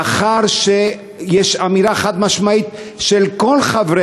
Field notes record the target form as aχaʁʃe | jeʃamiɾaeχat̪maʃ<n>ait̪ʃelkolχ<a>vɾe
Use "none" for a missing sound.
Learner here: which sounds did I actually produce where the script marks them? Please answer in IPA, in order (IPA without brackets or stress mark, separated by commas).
m, a